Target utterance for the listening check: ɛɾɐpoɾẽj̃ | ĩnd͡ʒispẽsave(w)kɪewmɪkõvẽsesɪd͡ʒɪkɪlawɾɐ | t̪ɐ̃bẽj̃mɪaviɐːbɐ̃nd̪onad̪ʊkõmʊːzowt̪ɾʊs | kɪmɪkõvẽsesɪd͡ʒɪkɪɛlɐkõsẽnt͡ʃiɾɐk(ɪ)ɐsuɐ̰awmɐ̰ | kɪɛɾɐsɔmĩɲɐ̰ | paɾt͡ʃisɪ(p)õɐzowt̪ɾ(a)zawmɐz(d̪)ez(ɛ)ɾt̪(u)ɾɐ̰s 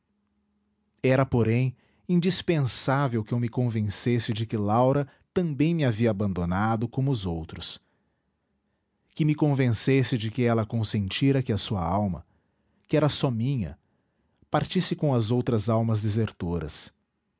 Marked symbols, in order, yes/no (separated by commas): yes, yes, no, no, yes, no, no